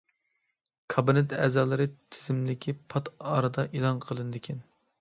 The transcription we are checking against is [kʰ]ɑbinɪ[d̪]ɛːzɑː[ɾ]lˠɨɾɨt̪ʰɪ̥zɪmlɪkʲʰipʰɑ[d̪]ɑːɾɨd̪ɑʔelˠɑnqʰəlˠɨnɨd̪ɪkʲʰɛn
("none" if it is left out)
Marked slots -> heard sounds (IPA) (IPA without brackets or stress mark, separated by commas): kʰ, t̪, none, t̪